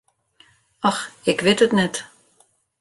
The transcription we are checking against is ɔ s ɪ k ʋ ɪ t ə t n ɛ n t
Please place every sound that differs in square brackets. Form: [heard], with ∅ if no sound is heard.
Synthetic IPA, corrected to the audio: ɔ [x] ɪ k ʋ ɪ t ə t n ɛ [∅] t